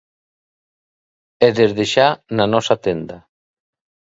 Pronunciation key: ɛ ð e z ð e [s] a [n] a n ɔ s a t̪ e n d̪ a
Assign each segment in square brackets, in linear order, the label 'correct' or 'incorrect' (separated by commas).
incorrect, correct